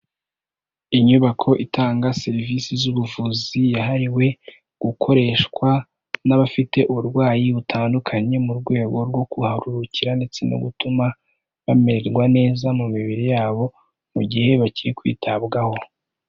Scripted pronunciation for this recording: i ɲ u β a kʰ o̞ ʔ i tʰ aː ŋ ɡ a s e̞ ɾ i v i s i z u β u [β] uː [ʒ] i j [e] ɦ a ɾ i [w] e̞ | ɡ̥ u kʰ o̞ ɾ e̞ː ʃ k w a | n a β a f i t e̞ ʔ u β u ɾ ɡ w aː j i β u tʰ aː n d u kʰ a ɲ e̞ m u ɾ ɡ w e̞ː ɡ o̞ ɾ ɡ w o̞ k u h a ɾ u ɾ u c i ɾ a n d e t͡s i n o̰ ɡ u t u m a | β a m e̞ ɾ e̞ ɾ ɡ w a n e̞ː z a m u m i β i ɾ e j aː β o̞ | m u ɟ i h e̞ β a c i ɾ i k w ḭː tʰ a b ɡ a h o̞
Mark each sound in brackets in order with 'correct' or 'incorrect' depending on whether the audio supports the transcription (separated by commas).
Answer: incorrect, incorrect, incorrect, correct